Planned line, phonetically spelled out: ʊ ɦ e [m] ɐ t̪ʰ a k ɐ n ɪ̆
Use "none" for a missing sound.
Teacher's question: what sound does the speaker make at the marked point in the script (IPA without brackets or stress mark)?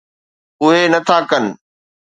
n